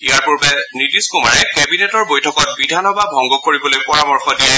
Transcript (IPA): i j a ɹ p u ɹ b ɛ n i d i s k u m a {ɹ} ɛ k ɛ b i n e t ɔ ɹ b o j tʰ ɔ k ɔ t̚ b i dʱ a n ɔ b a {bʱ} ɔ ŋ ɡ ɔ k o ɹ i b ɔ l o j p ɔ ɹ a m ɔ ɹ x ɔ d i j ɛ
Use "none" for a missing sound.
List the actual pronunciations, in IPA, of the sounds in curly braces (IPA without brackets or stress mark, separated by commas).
ɹ, bʱ